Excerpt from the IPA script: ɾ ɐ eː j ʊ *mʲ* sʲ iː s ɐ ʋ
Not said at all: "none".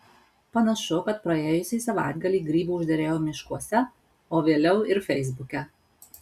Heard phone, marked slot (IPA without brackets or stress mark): none